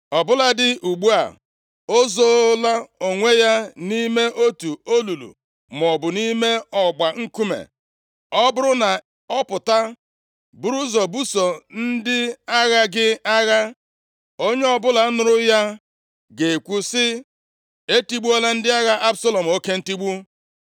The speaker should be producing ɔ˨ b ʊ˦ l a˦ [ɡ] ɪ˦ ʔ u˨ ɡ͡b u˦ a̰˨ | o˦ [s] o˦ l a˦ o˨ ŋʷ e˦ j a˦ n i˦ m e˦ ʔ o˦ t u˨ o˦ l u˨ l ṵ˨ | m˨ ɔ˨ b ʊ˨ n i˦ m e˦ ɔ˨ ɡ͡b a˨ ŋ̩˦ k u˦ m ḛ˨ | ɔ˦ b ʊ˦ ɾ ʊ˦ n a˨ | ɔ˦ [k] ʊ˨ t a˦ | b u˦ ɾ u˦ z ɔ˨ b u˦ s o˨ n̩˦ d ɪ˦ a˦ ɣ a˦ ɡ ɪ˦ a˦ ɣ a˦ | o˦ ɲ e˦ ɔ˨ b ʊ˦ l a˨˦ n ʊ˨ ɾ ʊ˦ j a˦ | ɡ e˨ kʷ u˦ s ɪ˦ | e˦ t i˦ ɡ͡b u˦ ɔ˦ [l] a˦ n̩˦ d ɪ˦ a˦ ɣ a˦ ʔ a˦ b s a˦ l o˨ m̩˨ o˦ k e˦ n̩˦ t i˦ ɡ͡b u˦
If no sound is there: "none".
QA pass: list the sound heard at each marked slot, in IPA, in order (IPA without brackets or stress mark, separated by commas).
d, z, p, l